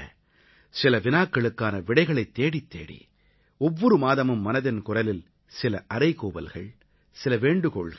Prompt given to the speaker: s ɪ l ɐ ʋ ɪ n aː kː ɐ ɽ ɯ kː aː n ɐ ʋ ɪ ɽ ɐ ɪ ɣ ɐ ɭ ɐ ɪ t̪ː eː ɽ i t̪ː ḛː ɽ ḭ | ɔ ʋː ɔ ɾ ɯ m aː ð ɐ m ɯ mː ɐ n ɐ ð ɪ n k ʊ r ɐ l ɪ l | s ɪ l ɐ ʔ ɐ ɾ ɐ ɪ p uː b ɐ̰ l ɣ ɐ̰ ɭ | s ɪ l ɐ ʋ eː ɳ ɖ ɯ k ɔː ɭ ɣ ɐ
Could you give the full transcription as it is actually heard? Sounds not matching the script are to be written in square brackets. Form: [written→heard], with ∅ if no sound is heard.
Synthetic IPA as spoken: s ɪ l ɐ ʋ ɪ n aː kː ɐ [ɽ→ɭ] ɯ kː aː n ɐ ʋ ɪ ɽ ɐ ɪ ɣ ɐ ɭ ɐ ɪ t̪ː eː ɽ i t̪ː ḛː ɽ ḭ | ɔ ʋː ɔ ɾ ɯ m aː ð ɐ m ɯ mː ɐ n ɐ ð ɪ n k ʊ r ɐ l ɪ l | s ɪ l ɐ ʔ ɐ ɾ ɐ ɪ [p→k] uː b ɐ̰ l ɣ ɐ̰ ɭ | s ɪ l ɐ ʋ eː ɳ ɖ ɯ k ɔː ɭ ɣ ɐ